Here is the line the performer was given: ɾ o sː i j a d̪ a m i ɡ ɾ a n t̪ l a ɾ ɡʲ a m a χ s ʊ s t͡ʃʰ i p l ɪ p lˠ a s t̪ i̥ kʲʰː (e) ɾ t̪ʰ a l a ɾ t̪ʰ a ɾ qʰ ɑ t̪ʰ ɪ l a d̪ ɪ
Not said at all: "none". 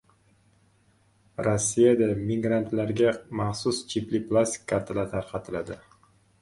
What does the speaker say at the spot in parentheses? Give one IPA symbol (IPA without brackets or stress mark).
a